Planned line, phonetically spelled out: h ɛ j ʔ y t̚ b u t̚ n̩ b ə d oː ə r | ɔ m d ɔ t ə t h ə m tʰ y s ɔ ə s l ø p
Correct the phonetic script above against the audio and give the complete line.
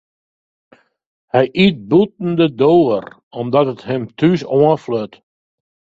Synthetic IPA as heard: h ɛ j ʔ i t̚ b u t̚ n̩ d ə d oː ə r | ɔ m d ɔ t ə t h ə m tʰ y s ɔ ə f l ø t